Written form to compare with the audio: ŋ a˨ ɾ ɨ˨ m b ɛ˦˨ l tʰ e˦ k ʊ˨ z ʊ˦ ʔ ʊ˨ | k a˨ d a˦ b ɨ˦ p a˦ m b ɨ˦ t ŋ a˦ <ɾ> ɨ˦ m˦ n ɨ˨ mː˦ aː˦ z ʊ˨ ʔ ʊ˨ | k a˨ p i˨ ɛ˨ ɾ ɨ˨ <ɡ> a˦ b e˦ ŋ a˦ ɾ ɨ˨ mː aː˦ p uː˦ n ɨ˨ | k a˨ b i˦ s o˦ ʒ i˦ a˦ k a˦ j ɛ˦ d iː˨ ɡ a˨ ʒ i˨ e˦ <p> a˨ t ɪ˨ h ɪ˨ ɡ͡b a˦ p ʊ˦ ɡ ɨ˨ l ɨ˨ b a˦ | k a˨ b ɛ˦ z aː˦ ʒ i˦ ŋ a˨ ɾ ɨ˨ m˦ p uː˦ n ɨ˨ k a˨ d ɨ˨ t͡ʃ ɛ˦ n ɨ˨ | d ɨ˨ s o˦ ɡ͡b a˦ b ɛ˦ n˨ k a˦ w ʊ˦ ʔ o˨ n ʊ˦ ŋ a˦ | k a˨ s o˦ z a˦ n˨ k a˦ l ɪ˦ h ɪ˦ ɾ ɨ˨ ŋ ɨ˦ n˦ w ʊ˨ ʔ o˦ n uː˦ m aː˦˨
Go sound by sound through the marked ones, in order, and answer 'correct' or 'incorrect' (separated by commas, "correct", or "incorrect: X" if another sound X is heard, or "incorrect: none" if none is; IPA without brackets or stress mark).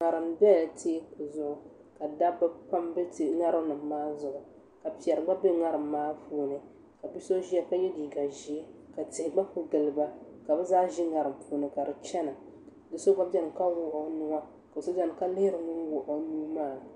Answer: correct, incorrect: ɡ͡b, incorrect: k